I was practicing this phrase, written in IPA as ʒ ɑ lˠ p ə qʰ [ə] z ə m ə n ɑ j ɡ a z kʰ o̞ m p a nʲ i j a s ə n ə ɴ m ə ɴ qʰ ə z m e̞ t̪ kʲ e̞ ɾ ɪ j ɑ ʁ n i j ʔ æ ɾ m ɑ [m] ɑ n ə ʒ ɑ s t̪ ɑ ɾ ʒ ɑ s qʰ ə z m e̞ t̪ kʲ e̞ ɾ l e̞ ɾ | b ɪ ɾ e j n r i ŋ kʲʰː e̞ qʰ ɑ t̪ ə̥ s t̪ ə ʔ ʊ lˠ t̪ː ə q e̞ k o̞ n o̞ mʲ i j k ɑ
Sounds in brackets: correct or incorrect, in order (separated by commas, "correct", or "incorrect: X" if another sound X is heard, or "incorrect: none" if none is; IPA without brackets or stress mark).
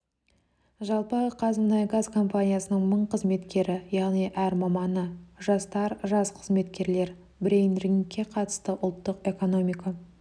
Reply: incorrect: ɑ, correct